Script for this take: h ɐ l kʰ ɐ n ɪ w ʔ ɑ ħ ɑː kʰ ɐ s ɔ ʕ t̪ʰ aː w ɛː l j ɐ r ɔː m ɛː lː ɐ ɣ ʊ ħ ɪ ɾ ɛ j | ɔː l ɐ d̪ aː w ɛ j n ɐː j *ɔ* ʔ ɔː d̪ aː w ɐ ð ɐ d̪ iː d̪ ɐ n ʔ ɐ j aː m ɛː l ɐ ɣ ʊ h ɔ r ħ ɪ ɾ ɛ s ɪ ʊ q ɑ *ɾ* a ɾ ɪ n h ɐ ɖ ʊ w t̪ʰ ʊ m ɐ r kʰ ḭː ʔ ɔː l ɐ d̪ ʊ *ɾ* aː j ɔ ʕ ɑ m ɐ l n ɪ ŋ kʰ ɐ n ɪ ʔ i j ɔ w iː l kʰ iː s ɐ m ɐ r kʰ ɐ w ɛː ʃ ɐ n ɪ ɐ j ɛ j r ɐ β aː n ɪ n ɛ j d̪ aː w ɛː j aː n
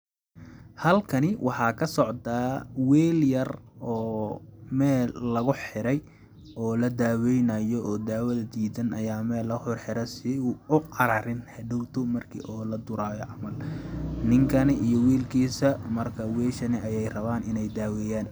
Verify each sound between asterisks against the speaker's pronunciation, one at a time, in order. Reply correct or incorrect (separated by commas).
correct, correct, correct